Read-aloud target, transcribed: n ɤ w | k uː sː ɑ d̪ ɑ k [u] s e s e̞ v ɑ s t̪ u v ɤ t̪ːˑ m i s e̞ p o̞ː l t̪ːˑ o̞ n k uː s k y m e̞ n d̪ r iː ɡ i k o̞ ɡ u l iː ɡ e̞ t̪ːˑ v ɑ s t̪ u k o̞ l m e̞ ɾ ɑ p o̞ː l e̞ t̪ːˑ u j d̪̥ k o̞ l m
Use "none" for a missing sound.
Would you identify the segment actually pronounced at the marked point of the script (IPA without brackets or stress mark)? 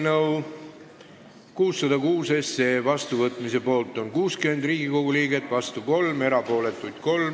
uː